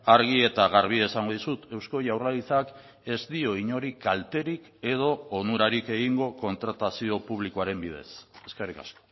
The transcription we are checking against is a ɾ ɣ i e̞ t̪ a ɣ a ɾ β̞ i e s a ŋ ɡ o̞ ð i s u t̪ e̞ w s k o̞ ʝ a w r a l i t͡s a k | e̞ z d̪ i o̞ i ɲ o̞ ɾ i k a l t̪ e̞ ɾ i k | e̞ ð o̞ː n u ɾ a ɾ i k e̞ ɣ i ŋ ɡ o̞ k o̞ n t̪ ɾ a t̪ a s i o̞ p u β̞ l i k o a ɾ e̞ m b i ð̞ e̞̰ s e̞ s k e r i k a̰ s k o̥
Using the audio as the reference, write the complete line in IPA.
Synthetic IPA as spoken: a ɾ ɣ i e̞ t̪ a ɣ a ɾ β̞ i e s a ŋ ɡ o̞ ð i s u t̪ e̞ w s k o̞ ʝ a w r a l i t͡s a k | e̞ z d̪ i o̞ i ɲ o̞ ɾ i k a l t̪ e̞ ɾ i k | e̞ ð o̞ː n u ɾ a ɾ i k e̞ ɣ i ŋ ɡ o̞ k o̞ n t̪ ɾ a t̪ a s i o̞ p u β̞ l i k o a ɾ e̞ m b i ð̞ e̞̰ s e̞ s k e r i k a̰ s k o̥

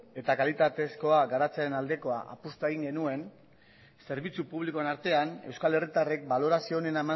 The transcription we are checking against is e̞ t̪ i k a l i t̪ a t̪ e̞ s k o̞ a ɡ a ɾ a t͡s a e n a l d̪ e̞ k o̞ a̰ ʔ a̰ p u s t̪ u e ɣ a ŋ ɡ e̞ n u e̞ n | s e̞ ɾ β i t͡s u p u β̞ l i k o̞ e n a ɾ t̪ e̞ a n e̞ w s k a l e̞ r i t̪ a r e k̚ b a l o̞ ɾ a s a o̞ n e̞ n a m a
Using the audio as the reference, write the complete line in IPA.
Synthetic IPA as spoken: e̞ t̪ a k a l i t̪ a t̪ e̞ s k o̞ a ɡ a ɾ a t͡s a e n a l d̪ e̞ k o̞ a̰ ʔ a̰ p u s t̪ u e ɣ i ŋ ɡ e̞ n u e̞ n | s e̞ ɾ β i t͡s u p u β̞ l i k o̞ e n a ɾ t̪ e̞ a n e̞ w s k a l e̞ r i t̪ a r e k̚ b a l o̞ ɾ a s i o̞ n e̞ n a m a

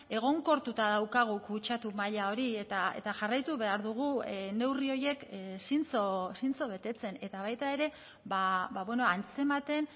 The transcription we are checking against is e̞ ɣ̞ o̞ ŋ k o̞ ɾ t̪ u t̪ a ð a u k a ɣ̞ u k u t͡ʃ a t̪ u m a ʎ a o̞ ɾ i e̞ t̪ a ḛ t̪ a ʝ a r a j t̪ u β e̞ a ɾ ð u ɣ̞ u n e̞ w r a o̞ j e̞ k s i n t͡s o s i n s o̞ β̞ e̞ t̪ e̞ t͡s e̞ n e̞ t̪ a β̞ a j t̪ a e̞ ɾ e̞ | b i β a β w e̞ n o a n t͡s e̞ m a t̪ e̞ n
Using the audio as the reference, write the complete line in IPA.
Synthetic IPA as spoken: e̞ ɣ̞ o̞ ŋ k o̞ ɾ t̪ u t̪ a ð a w k a ɣ̞ u k u t͡ʃ a t̪ u m a ʎ a o̞ ɾ i e̞ t̪ a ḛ t̪ a ʝ a r a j t̪ u β e̞ a ɾ ð u ɣ̞ u n e̞ w r i o̞ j e̞ k s i n t͡s o s i n t͡s o̞ β̞ e̞ t̪ e̞ t͡s e̞ n e̞ t̪ a β̞ a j t̪ a e̞ ɾ e̞ | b a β a β w e̞ n o a n t͡s e̞ m a t̪ e̞ n

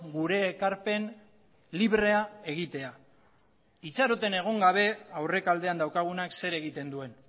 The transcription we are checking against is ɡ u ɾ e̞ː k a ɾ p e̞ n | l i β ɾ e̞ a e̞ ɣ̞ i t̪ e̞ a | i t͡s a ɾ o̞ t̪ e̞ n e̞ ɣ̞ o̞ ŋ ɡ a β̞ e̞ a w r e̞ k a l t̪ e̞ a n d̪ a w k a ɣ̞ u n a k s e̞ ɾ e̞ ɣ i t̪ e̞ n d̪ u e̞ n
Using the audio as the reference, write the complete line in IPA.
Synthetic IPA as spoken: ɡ u ɾ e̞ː k a ɾ p e̞ n | l i β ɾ e̞ a e̞ ɣ̞ i t̪ e̞ a | i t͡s a ɾ o̞ t̪ e̞ n e̞ ɣ̞ o̞ ŋ ɡ a β̞ e̞ a w r e̞ k a l d̪ e̞ a n d̪ a w k a ɣ̞ u n a k s e̞ ɾ e̞ ɣ i t̪ e̞ n d̪ u e̞ n

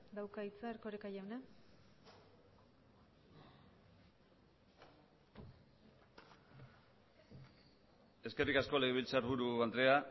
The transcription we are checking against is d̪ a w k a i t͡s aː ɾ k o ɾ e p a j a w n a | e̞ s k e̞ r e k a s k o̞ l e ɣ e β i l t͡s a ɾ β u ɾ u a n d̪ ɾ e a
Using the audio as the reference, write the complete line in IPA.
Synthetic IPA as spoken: d̪ a w k a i t͡s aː ɾ k o ɾ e k a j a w n a | e̞ s k e̞ r i k a s k o̞ l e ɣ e β i l t͡s a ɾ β u ɾ u a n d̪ ɾ e a

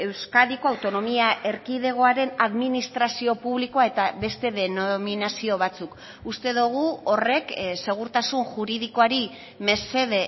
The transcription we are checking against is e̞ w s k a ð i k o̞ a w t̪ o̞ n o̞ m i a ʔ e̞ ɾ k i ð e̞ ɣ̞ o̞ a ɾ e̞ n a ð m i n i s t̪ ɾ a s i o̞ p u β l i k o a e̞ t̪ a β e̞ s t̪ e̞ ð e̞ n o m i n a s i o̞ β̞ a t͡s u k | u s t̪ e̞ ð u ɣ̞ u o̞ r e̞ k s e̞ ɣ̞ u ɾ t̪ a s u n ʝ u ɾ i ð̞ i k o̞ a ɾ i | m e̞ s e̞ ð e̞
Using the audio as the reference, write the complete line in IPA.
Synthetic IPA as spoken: e̞ w s k a ð i k o̞ a w t̪ o̞ n o̞ m i a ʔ e̞ ɾ k i ð e̞ ɣ̞ o̞ a ɾ e̞ n a ð m i n i s t̪ ɾ a s i o̞ p u β l i k o a e̞ t̪ a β e̞ s t̪ e̞ ð e̞ n o m i n a s i o̞ β̞ a t͡s u k | u s t̪ e̞ ð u ɣ̞ u o̞ r e̞ k s e̞ ɣ̞ u ɾ t̪ a s u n ʝ u ɾ i ð̞ i k o̞ a ɾ i | m e̞ s e̞ ð e̞

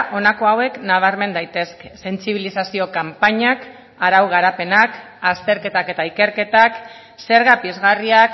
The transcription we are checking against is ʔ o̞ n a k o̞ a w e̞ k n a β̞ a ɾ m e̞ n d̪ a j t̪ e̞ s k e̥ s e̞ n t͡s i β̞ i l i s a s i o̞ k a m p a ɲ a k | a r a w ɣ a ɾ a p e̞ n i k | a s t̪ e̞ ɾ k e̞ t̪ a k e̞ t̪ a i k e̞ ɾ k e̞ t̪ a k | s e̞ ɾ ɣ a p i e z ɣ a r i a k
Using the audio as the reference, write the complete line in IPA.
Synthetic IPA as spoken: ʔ o̞ n a k o̞ a w e̞ k n a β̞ a ɾ m e̞ n d̪ a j t̪ e̞ s k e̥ s e̞ n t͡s i β̞ i l i s a s i o̞ k a m p a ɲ a k | a ɾ a w ɣ a ɾ a p e̞ n a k | a s t̪ e̞ ɾ k e̞ t̪ a k e̞ t̪ a i k e̞ ɾ k e̞ t̪ a k | s e̞ ɾ ɣ a p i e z ɣ a r i a k

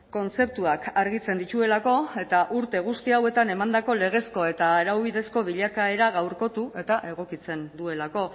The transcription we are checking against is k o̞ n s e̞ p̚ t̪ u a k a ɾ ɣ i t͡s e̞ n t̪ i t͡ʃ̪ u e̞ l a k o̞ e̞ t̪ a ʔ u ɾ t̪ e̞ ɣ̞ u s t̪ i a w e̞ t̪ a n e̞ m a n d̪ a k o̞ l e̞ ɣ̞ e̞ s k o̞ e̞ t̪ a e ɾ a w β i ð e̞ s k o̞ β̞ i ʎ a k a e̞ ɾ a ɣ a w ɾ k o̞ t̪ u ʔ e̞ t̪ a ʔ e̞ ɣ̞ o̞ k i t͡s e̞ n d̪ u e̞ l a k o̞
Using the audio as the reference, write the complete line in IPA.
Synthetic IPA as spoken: k o̞ n t͡s e̞ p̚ t̪ u a k a ɾ ɣ i t͡s e̞ n d̪ i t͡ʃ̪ u e̞ l a k o̞ e̞ t̪ a ʔ u ɾ t̪ e̞ ɣ̞ u s t̪ i a w e̞ t̪ a n e̞ m a n d̪ a k o̞ l e̞ ɣ̞ e̞ s k o̞ e̞ t̪ a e ɾ a w β i ð e̞ s k o̞ β̞ i ʎ a k a e̞ ɾ a ɣ a w ɾ k o̞ t̪ u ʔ e̞ t̪ a ʔ e̞ ɣ̞ o̞ k i t͡s e̞ n d̪ u e̞ l a k o̞

